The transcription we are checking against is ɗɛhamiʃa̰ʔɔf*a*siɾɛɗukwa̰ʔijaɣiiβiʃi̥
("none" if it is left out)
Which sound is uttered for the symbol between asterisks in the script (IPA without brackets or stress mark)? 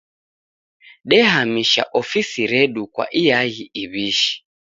i